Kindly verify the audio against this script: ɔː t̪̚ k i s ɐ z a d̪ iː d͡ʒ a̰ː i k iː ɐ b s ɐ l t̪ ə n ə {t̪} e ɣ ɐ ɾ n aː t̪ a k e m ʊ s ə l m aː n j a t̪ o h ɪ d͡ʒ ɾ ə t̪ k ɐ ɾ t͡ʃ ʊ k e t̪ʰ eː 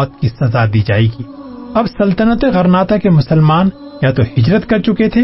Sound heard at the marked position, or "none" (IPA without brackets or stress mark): t̪